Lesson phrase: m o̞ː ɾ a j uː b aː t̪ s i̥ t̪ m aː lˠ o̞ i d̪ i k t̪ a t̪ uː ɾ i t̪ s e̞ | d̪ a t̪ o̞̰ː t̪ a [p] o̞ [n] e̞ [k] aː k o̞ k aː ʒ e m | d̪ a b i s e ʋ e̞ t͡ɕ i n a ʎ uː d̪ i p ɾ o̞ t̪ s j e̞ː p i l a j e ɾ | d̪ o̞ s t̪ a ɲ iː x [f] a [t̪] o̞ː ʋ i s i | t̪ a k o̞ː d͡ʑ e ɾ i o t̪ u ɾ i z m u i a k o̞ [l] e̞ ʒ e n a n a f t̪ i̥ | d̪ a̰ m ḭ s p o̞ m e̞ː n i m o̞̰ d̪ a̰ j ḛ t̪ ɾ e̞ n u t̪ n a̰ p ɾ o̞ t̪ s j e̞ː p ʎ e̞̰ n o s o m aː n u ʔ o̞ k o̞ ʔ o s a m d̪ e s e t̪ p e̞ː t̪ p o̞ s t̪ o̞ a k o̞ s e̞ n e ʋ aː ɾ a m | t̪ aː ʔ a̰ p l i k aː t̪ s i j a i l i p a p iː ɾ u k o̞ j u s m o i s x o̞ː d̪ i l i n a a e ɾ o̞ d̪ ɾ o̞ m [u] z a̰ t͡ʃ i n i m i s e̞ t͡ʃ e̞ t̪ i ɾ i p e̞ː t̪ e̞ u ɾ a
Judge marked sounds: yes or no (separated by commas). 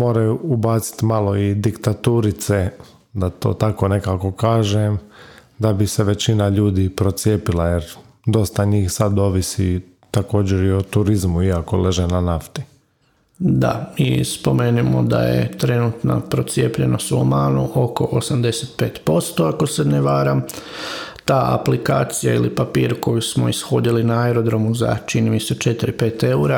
no, yes, yes, no, no, yes, yes